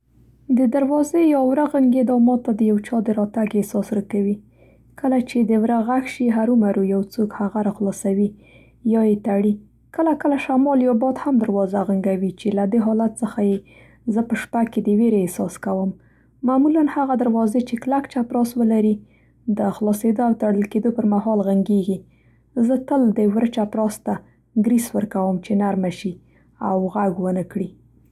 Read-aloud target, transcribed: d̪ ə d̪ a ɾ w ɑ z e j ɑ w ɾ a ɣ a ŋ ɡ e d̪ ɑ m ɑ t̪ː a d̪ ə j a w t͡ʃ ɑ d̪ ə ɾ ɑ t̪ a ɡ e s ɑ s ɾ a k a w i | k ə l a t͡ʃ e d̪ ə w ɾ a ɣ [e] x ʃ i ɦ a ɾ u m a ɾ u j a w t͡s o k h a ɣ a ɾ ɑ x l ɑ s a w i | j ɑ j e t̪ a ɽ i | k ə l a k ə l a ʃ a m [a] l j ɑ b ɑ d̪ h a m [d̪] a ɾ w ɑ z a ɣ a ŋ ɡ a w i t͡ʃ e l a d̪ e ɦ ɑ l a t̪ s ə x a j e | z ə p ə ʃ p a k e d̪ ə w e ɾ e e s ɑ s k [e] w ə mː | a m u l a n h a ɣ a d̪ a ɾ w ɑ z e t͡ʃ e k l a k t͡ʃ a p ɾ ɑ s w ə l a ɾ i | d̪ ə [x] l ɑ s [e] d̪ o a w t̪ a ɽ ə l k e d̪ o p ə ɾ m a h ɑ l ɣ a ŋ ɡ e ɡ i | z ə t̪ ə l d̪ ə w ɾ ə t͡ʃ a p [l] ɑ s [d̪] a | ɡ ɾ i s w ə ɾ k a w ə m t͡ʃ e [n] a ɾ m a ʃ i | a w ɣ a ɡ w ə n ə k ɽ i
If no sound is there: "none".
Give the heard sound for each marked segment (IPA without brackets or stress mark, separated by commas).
a, ɑ, d̪, a, x, e, ɾ, t̪, n